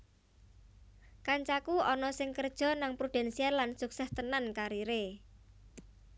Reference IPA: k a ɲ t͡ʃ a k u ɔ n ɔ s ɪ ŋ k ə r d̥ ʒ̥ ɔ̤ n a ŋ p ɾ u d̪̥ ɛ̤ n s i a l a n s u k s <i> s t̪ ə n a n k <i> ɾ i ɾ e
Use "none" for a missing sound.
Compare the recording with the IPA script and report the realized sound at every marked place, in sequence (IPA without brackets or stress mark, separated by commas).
ɛ, a